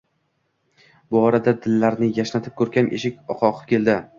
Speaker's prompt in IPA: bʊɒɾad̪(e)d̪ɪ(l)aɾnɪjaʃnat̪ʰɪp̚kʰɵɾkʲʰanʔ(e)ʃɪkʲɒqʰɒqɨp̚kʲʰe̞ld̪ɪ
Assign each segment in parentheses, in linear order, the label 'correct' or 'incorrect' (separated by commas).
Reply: incorrect, incorrect, correct